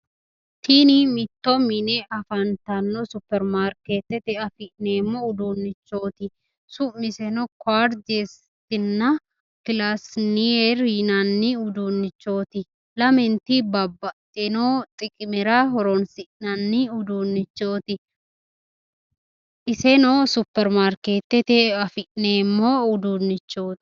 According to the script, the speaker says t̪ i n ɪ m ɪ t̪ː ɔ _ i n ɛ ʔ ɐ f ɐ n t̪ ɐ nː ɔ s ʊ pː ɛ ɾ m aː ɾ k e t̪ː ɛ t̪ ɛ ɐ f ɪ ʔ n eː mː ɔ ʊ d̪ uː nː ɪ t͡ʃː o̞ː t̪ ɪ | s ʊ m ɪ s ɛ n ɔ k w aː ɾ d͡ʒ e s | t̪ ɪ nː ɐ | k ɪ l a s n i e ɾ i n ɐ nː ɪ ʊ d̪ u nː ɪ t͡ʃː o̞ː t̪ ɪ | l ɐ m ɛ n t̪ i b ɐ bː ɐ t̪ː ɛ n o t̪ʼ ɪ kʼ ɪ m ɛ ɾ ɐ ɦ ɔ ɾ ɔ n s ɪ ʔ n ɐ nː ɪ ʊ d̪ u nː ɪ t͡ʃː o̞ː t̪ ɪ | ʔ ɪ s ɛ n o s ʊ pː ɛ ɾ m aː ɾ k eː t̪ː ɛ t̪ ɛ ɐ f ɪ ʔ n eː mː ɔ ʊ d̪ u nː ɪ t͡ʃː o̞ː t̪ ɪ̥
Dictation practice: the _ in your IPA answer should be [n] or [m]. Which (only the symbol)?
m